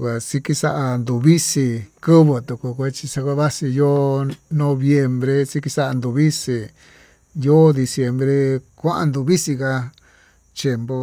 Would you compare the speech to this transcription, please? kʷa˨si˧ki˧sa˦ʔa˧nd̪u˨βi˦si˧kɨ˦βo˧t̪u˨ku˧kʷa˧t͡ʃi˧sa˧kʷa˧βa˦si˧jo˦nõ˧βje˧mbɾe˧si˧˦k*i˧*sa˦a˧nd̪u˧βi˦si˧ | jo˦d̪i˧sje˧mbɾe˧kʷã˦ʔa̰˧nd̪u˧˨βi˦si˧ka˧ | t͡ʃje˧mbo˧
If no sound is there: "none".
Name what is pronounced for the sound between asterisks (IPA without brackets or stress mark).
i˧